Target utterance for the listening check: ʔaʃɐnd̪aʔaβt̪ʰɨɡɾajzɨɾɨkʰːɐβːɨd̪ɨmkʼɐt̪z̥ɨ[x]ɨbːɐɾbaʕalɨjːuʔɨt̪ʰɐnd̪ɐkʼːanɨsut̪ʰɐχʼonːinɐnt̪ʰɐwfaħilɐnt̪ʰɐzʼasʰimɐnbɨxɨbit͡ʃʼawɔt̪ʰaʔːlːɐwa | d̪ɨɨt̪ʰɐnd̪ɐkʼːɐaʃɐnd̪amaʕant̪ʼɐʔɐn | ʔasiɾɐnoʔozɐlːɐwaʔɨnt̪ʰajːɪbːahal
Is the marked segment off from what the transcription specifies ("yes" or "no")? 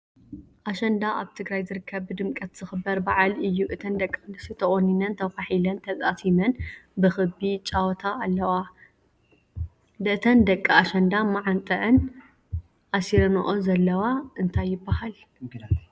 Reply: no